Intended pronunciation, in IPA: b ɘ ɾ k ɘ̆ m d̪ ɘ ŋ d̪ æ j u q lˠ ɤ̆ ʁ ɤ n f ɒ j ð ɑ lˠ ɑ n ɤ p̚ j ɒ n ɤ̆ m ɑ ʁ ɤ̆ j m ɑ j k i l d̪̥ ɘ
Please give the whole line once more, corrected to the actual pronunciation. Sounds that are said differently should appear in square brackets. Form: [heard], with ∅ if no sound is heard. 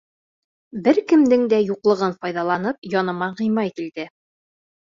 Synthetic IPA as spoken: b ɘ ɾ k ɘ̆ m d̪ ɘ ŋ d̪ æ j u q lˠ ɤ̆ ʁ ɤ n f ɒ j ð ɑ lˠ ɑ n ɤ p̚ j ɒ n ɤ̆ m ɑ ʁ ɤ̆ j m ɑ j k i l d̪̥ ɘ